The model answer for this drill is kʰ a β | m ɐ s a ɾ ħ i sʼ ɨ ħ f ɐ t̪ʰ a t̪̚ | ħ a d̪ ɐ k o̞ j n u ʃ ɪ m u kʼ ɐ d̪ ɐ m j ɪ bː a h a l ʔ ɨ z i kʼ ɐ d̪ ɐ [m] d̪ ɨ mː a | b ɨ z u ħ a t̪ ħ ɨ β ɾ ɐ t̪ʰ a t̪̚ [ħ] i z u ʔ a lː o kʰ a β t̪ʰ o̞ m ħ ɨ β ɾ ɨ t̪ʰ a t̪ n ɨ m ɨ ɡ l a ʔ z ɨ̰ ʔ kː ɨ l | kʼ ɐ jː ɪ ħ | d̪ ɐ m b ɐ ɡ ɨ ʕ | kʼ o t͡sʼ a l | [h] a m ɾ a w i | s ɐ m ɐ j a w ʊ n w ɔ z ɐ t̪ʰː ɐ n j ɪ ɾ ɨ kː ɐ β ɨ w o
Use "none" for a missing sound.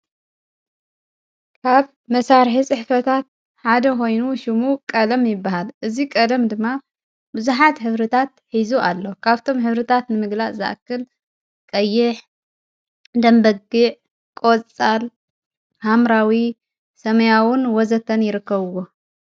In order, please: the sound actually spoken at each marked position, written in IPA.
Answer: m, ħ, h

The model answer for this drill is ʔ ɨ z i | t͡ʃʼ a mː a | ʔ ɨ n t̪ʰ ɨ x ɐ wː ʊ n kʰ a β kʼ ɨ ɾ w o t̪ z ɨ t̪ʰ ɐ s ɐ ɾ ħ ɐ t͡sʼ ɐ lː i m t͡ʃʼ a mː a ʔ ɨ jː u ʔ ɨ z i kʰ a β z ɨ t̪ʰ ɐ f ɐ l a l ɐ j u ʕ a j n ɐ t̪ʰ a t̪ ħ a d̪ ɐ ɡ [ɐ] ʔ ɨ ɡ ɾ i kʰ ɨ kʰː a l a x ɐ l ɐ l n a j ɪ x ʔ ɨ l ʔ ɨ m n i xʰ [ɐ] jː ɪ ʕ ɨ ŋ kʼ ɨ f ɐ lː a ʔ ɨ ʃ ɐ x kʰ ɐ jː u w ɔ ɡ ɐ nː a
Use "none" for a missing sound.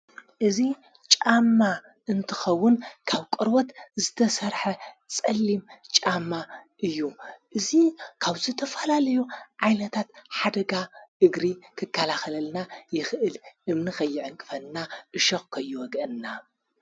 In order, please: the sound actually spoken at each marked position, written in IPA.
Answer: a, ɐ

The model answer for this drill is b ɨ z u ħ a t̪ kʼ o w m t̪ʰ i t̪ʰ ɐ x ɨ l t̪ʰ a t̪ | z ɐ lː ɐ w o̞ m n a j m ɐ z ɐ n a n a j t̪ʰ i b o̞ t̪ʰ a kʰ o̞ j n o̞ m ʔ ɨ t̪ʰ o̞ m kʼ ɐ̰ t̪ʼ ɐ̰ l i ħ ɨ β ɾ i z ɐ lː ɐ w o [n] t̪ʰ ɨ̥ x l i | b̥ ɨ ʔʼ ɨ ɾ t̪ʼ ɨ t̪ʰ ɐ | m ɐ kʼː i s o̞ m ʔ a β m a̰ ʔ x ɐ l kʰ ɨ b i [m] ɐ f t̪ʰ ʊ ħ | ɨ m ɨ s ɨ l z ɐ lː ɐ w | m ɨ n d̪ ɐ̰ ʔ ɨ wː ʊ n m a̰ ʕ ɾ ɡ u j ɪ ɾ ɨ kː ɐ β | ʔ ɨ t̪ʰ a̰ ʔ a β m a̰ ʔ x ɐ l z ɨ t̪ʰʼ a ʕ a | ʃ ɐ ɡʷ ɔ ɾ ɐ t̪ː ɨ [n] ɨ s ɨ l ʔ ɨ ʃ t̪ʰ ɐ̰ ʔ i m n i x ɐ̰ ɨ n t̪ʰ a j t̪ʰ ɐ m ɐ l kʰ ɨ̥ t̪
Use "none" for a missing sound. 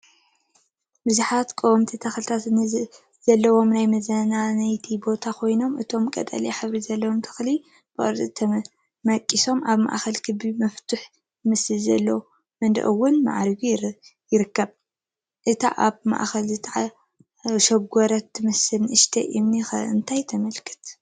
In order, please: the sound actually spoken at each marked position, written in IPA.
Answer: m, m, m

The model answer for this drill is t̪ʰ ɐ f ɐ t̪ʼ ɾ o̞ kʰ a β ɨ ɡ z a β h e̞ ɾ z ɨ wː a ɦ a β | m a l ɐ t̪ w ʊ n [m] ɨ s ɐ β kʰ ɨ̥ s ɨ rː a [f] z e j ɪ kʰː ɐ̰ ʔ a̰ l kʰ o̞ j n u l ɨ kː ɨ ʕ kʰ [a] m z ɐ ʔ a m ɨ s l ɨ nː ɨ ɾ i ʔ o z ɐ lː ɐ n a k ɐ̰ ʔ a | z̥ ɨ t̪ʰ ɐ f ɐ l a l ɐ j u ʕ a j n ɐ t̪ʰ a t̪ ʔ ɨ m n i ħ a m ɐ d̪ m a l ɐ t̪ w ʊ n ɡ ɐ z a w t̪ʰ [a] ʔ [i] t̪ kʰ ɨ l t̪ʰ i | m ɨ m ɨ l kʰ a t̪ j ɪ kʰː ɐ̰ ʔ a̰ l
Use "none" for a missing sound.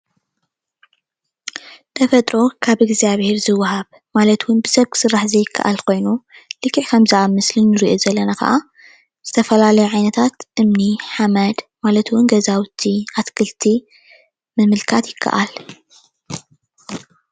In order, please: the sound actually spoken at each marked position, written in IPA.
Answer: b, ħ, ɐ, i, a

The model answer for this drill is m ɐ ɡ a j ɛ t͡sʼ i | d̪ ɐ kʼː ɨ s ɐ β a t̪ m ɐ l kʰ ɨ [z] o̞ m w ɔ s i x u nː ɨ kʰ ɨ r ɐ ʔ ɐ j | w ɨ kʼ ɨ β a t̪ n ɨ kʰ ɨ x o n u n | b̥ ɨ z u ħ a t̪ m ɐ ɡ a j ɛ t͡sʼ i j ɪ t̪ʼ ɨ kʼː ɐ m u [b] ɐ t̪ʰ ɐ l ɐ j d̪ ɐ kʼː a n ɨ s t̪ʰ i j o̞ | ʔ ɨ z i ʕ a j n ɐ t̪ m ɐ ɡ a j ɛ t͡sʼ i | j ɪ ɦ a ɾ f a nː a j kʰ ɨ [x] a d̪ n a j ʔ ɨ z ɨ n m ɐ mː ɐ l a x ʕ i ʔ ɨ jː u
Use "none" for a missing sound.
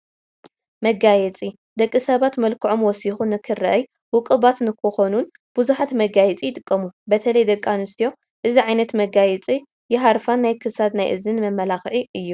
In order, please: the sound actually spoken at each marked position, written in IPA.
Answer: ʕ, b, s

